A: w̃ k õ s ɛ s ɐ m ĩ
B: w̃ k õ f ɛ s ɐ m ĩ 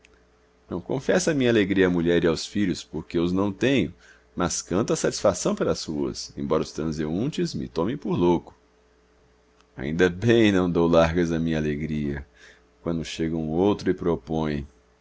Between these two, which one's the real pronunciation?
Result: B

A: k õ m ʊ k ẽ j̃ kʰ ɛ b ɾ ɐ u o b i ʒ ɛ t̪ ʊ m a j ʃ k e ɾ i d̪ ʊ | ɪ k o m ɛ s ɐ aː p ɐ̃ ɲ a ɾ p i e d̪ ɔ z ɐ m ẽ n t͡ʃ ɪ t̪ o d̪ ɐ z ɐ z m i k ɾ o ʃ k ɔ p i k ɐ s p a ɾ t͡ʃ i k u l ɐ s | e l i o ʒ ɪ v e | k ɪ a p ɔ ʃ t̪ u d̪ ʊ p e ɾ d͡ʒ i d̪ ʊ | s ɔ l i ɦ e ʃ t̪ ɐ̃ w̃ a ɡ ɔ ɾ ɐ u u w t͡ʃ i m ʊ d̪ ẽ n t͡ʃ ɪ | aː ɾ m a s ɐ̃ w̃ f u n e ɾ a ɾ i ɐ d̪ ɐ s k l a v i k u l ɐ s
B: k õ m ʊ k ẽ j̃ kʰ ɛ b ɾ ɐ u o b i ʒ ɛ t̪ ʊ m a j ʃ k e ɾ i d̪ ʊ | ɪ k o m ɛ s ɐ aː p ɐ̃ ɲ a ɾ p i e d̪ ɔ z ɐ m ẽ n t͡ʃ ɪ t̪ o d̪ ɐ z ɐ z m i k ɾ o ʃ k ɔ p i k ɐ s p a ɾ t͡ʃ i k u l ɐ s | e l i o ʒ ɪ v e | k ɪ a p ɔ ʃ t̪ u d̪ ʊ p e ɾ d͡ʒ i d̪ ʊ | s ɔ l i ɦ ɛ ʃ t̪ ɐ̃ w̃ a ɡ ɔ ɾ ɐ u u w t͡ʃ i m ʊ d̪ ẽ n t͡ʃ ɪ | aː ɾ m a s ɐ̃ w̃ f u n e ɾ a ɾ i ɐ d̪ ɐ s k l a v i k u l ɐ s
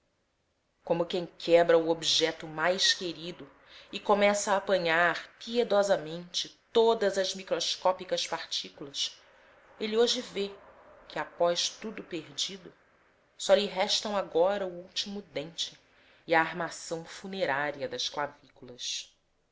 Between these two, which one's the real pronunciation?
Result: B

